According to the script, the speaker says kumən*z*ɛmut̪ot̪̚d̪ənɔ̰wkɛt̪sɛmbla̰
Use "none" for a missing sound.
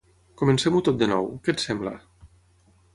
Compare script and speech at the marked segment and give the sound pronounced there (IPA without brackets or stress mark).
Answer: s